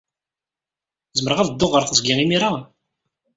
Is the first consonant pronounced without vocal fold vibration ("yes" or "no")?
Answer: no